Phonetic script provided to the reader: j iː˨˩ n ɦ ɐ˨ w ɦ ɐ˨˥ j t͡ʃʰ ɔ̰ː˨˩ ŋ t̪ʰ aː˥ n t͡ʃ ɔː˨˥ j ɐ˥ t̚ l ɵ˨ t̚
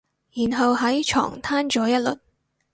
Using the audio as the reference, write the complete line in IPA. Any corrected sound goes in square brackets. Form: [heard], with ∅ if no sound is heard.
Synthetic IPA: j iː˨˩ n ɦ ɐ˨ w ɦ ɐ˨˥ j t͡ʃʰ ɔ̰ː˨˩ ŋ t̪ʰ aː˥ n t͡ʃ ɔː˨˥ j ɐ˥ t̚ l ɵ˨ t̚